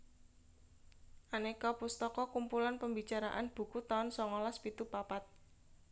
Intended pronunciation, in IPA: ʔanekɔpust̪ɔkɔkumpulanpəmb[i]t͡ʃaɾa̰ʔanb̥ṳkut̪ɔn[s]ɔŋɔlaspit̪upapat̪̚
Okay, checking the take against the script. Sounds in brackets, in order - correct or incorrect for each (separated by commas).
correct, correct